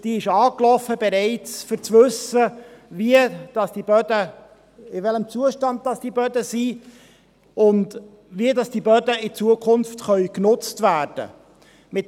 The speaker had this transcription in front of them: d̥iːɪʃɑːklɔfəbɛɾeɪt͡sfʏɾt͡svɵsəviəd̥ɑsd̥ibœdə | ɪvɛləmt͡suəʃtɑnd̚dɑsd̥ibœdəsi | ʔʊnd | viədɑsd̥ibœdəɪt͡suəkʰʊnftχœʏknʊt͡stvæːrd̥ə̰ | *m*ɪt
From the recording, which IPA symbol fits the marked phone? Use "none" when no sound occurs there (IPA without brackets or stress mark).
m